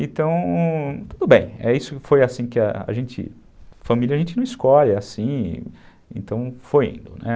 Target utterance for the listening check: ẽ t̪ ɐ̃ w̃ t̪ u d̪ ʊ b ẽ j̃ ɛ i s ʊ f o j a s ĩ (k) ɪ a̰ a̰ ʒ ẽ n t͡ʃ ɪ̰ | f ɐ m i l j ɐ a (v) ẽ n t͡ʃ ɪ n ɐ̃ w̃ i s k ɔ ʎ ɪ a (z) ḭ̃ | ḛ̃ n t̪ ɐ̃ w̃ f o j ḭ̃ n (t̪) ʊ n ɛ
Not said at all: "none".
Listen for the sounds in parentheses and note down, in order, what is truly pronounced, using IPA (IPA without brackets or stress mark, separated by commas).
k, ʒ, s, d̪